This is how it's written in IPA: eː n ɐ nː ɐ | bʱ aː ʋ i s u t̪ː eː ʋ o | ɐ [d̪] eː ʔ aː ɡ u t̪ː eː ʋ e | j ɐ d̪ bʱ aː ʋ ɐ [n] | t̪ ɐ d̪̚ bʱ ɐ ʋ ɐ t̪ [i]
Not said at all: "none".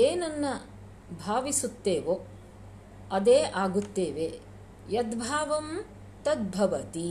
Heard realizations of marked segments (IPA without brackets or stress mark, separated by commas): d̪, m, i